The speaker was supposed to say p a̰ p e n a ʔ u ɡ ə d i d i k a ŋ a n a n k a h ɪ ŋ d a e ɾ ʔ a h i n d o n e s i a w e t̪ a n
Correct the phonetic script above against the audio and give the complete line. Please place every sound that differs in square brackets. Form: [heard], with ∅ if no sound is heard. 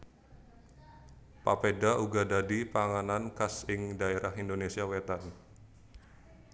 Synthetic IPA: p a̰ p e [d] a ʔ u ɡ [a] d [a] d i [p] a ŋ a n a n k a [s] ɪ ŋ d a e ɾ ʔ a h i n d o n e s i a w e t̪ a n